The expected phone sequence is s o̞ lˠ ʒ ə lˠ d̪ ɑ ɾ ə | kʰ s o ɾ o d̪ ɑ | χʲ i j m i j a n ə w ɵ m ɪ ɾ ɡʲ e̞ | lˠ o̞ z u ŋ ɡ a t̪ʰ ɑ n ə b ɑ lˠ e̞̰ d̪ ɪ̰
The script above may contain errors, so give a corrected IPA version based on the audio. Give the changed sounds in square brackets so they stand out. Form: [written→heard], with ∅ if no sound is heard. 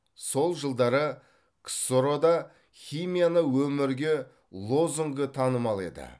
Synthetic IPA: s o̞ lˠ ʒ ə lˠ d̪ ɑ ɾ ə | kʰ s o ɾ o d̪ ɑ | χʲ i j m i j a n ə w ɵ m ɪ ɾ ɡʲ e̞ | lˠ o̞ z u ŋ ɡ [a→ə] t̪ʰ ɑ n ə [b→m] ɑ lˠ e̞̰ d̪ ɪ̰